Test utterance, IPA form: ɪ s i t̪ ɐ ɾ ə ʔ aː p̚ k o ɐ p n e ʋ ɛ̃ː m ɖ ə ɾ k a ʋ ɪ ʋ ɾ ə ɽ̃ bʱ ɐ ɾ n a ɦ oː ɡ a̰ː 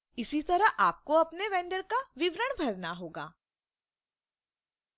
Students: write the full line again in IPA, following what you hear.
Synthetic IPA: ɪ s i t̪ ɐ ɾ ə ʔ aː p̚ k o ɐ p n e ʋ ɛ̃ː ɳ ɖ ə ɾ k a ʋ ɪ ʋ ɾ ə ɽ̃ bʱ ɐ ɾ n a ɦ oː ɡ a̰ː

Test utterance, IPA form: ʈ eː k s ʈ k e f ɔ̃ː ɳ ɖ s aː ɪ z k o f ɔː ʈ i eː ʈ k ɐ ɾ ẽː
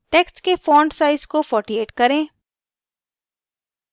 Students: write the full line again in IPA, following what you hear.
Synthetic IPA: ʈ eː k s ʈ k e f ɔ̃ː ɳ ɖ s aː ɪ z k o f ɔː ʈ i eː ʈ k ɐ ɾ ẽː

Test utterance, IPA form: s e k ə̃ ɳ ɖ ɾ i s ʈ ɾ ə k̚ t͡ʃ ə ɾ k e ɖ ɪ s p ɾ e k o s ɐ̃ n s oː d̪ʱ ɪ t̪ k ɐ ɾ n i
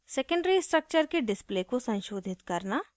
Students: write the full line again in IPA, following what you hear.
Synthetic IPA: s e k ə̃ ɳ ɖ ɾ i s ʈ ɾ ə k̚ t͡ʃ ə ɾ k e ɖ ɪ s p l e k o s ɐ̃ n ʃ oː d̪ʱ ɪ t̪ k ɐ ɾ n a

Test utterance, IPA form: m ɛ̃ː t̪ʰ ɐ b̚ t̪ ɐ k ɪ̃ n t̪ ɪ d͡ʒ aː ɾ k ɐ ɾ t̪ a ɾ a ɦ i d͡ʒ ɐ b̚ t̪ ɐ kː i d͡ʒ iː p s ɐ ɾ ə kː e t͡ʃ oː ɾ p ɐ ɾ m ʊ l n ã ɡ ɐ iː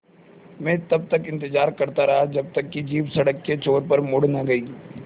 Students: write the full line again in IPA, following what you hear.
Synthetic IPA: m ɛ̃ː t̪ ɐ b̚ t̪ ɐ k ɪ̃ n t̪ ɪ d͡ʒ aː ɾ k ɐ ɾ t̪ a ɾ ɐ ɦ a d͡ʒ ɐ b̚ t̪ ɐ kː i d͡ʒ iː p s ɐ ɽ ə kː e t͡ʃ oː ɾ p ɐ ɾ m ʊ ɽ n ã ɡ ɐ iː

